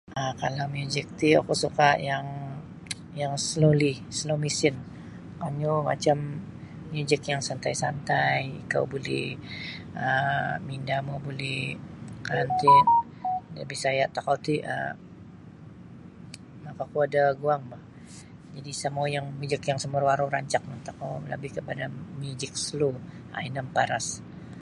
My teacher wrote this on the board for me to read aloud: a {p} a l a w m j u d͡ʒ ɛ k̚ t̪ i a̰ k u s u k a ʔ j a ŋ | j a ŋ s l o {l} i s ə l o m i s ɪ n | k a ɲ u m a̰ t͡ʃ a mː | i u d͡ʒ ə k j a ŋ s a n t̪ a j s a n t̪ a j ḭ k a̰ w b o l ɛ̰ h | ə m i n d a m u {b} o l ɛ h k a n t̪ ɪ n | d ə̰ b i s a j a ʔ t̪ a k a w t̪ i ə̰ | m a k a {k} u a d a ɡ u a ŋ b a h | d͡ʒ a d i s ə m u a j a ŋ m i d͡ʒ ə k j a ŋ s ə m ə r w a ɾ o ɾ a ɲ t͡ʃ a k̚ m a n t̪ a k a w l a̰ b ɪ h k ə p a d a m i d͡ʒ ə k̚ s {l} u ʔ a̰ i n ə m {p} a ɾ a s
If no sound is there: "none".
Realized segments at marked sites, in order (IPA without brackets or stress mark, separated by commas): k, l, b, k, l, p